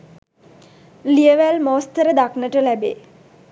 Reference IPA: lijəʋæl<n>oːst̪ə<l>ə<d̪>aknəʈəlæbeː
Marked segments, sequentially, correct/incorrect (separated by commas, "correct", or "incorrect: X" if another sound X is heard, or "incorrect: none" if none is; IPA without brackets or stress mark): incorrect: m, incorrect: ɾ, correct